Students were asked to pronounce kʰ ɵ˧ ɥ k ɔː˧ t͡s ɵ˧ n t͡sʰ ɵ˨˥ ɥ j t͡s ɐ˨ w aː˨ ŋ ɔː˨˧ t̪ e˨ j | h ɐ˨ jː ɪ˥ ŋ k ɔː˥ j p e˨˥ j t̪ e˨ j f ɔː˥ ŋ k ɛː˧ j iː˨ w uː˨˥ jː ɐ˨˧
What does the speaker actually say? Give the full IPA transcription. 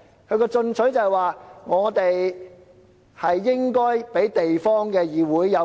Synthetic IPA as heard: kʰ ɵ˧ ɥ k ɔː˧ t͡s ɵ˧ n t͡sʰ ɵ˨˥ ɥ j t͡s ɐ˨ w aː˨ ŋ ɔː˨˧ t̪ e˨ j | h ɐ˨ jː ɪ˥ ŋ k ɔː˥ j p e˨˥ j t̪ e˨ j f ɔː˥ ŋ k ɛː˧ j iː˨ w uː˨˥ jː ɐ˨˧